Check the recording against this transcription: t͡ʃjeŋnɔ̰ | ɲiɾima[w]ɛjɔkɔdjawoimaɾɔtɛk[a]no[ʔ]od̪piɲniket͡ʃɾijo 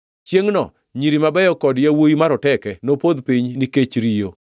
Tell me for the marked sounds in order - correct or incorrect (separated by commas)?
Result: incorrect, incorrect, incorrect